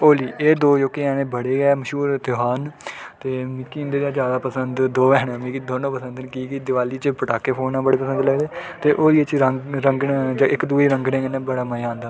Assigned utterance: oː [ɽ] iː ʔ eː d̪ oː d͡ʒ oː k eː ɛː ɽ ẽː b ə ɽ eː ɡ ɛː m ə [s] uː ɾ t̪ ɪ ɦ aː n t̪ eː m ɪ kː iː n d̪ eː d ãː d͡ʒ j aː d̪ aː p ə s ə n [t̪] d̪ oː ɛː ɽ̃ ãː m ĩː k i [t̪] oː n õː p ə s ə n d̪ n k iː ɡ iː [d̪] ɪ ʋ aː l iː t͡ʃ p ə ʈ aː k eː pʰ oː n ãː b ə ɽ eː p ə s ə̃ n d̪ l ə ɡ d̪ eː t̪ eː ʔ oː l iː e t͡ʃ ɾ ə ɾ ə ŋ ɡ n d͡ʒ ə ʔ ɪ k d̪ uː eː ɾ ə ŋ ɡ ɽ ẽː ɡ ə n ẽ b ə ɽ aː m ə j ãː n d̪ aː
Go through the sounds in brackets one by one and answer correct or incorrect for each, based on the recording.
incorrect, incorrect, incorrect, incorrect, correct

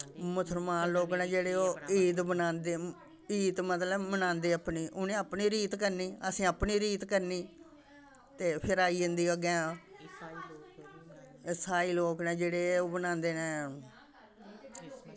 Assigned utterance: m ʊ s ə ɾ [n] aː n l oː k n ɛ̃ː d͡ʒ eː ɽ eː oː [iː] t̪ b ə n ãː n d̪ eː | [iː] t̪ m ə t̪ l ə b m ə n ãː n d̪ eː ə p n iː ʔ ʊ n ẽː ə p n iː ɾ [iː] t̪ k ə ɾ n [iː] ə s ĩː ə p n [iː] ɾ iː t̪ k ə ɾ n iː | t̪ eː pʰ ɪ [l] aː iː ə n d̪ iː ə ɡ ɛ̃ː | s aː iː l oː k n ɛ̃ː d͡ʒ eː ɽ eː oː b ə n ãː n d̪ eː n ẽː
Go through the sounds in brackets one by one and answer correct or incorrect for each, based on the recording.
incorrect, correct, correct, correct, correct, correct, incorrect

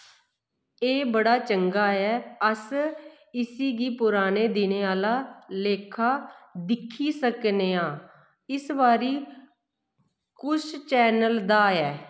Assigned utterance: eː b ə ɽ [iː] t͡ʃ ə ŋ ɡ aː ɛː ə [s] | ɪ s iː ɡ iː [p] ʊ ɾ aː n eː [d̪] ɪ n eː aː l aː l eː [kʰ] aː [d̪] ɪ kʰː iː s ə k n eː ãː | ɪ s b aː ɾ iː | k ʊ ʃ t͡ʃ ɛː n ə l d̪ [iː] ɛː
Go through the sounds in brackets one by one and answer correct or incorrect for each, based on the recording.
incorrect, correct, correct, correct, correct, correct, incorrect

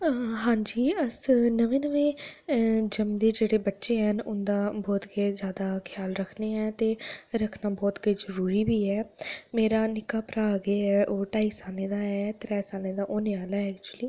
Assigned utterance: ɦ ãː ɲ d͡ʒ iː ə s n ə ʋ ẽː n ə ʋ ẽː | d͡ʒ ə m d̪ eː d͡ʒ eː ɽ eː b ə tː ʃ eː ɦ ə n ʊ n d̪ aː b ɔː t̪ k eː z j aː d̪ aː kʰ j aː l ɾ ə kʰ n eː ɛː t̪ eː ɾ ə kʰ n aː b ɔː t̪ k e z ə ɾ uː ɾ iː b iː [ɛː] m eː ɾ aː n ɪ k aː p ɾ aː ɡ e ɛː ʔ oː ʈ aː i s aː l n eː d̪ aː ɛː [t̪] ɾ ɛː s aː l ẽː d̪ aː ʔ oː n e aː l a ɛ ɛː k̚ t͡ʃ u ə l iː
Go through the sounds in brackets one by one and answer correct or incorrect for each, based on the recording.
correct, correct

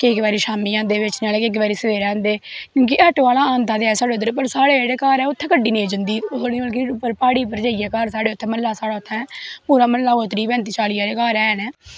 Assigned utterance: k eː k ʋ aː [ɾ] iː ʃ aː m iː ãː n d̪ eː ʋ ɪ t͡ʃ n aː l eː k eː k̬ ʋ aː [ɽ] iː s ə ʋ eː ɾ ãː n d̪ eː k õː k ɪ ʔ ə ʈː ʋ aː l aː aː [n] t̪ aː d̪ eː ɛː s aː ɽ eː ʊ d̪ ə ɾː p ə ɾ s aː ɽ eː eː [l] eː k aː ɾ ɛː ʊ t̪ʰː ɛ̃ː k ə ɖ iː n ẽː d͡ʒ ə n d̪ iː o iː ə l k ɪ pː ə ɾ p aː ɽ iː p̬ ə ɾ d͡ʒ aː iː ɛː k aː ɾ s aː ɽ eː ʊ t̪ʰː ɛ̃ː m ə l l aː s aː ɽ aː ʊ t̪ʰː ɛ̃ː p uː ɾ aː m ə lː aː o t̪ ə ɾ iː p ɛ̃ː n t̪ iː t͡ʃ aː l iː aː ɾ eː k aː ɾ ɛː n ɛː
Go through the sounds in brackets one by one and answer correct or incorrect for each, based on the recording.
correct, incorrect, correct, incorrect

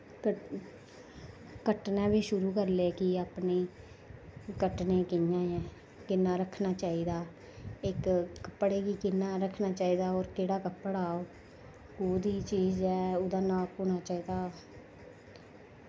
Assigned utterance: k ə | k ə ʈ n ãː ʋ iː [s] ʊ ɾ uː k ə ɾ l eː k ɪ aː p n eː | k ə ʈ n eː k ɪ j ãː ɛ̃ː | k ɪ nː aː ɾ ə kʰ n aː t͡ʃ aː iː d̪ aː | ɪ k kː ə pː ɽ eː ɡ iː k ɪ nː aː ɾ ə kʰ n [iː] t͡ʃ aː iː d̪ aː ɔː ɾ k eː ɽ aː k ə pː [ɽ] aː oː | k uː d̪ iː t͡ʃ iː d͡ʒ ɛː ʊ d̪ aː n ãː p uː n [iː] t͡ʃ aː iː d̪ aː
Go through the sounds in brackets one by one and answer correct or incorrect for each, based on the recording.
incorrect, incorrect, correct, incorrect

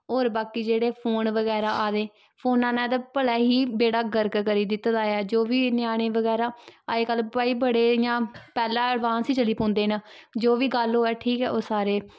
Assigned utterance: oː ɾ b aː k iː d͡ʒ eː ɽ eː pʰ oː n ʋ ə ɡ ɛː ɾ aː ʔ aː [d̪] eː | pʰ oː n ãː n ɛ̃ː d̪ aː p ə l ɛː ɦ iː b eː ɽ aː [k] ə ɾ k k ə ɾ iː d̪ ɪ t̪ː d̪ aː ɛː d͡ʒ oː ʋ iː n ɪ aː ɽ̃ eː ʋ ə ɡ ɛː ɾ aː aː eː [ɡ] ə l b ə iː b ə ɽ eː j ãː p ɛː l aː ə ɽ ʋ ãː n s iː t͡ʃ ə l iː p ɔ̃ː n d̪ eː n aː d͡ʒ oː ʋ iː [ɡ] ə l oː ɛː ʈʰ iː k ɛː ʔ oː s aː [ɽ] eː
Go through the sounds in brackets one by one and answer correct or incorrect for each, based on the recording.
correct, incorrect, incorrect, correct, incorrect

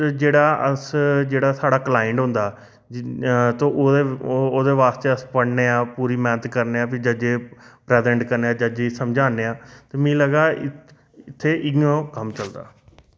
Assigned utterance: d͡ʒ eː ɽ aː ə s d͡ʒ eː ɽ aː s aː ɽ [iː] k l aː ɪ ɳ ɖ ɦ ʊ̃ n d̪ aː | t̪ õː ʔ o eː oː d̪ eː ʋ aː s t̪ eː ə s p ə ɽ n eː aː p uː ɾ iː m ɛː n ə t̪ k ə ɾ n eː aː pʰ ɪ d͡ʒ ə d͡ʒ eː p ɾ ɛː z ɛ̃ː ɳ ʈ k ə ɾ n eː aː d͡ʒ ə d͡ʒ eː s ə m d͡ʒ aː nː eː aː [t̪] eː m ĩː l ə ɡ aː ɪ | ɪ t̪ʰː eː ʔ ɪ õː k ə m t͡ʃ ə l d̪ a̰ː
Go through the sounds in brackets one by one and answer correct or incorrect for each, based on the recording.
incorrect, correct

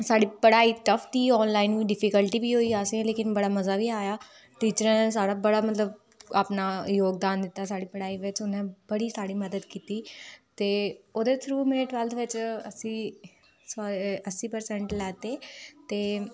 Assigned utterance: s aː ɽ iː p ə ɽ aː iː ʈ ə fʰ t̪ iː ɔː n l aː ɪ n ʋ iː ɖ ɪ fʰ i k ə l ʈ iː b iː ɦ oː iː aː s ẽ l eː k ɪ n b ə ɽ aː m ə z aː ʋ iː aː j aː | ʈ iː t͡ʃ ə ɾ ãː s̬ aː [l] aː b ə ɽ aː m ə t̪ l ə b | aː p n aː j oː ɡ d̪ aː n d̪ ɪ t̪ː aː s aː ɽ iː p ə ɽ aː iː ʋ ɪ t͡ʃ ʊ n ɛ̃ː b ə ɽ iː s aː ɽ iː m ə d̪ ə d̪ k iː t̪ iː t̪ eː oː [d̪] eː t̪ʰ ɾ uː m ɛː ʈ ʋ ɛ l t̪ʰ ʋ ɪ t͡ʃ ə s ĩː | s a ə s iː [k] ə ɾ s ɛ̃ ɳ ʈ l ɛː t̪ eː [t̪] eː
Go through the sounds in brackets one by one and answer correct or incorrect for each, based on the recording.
incorrect, correct, incorrect, correct

